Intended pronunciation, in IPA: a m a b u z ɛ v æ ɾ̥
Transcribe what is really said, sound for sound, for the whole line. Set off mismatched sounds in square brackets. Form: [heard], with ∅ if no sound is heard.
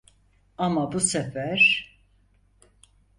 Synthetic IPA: a m a b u [s] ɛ [f] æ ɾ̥